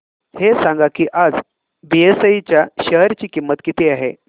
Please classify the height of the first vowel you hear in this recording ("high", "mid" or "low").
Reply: mid